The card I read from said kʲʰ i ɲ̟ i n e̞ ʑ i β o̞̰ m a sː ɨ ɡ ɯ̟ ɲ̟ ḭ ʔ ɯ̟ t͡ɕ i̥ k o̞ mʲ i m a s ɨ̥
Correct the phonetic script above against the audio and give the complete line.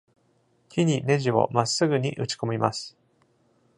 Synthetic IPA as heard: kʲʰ i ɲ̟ i n e̞ ʑ i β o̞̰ m a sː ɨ ɡ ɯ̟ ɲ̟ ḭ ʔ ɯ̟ t͡ɕ i̥ k o̞ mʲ i m a s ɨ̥